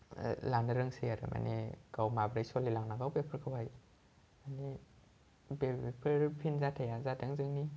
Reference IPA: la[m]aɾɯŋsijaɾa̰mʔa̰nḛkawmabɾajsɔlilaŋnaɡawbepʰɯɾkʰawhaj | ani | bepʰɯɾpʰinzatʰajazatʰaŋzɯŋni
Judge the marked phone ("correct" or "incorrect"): incorrect